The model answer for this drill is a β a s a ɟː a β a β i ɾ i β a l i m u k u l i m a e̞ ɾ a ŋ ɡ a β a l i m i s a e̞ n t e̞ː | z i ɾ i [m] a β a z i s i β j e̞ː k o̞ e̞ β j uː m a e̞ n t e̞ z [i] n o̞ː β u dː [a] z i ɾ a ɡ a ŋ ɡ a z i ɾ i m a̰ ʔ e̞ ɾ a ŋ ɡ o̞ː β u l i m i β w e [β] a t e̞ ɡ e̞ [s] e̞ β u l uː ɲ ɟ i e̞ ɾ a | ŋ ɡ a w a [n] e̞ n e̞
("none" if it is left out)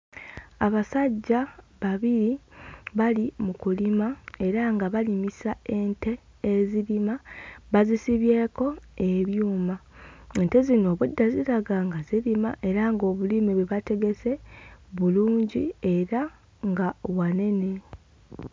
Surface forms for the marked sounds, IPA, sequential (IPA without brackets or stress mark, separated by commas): m, i, a, β, s, n